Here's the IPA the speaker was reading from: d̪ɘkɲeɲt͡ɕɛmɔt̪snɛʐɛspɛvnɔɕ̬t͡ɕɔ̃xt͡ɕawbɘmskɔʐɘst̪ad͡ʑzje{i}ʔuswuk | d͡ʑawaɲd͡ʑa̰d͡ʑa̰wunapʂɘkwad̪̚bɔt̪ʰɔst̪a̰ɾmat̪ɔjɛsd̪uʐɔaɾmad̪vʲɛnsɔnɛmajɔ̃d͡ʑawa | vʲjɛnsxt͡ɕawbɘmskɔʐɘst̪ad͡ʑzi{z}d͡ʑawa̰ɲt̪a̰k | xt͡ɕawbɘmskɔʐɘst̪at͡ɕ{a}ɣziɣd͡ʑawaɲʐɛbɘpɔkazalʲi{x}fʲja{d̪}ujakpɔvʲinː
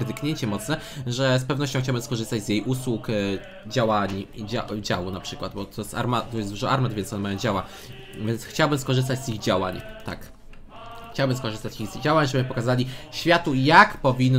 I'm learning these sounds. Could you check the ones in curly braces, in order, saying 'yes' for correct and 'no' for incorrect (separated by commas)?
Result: no, no, no, no, no